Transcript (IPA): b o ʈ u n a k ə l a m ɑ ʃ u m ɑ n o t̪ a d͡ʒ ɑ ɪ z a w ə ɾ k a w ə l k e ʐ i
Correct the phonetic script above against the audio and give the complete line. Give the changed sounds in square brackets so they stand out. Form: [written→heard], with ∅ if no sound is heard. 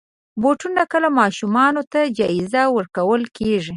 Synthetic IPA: b o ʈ u n a k ə l a m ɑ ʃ u m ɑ n o t̪ a d͡ʒ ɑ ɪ z a w ə ɾ k a w ə l k e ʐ i